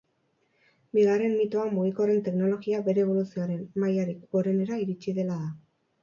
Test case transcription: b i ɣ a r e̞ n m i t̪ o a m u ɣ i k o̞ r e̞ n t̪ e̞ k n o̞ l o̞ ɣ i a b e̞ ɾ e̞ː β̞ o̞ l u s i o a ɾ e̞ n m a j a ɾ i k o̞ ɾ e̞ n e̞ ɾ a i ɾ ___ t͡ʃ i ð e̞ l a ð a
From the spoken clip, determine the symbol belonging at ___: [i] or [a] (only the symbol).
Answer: i